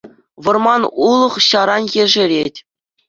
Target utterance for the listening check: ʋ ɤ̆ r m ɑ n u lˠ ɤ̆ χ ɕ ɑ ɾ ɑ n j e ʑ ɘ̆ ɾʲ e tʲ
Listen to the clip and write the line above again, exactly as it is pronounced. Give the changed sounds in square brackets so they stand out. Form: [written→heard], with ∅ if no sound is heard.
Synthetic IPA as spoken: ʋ ɤ̆ r m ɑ n u lˠ ɤ̆ χ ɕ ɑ ɾ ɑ n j e [ʑ→ʐ] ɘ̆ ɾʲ e tʲ